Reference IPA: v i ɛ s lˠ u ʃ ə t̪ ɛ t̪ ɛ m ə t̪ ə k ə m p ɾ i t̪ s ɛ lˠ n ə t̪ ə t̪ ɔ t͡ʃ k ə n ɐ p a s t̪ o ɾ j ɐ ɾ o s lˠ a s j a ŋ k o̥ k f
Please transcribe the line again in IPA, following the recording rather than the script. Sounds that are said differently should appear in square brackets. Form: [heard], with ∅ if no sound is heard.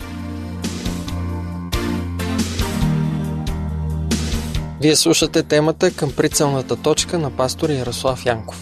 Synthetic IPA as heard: v i ɛ s lˠ u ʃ ə t̪ ɛ t̪ ɛ m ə t̪ ə k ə m p ɾ i t̪ s ɛ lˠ n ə t̪ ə t̪ ɔ t͡ʃ k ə n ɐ p a s t̪ o ɾ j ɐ ɾ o s lˠ a [f] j a ŋ k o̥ [∅] f